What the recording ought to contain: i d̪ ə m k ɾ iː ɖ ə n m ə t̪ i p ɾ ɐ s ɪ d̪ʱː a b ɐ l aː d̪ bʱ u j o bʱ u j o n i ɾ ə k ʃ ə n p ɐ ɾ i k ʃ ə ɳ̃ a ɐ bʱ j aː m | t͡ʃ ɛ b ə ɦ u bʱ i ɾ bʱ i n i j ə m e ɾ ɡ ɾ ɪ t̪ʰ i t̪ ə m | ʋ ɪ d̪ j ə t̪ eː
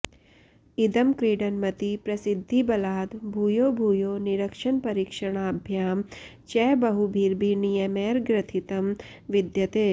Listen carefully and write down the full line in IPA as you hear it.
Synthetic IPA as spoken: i d̪ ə m k ɾ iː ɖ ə n m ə t̪ i p ɾ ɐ s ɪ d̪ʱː i b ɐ l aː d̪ bʱ u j o bʱ u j o n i ɾ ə k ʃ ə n p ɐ ɾ i k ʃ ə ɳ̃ a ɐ bʱ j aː m | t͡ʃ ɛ b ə ɦ u bʱ i ɾ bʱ i n i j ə m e ɾ ɡ ɾ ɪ t̪ʰ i t̪ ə m | ʋ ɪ d̪ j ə t̪ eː